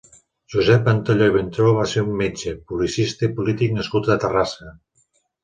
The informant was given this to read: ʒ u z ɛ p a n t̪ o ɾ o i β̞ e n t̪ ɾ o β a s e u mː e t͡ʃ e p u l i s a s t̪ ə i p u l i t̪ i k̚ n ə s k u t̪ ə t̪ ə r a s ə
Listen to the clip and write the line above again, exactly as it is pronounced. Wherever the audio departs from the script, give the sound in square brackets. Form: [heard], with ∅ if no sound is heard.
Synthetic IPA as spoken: ʒ u z ɛ p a n t̪ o [ʎ] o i β̞ e n t̪ ɾ o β a s e u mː e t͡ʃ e p u l i s [i] s t̪ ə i p u l i t̪ i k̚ n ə s k u t̪ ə t̪ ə r a s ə